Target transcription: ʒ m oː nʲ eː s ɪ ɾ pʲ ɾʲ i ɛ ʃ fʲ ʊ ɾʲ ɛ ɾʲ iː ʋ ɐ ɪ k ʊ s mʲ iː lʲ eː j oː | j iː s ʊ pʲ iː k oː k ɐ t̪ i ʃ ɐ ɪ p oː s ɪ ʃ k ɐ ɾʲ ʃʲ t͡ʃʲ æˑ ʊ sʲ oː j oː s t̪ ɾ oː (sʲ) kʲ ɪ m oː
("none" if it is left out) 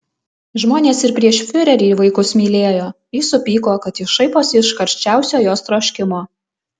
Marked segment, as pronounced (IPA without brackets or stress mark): ʃʲ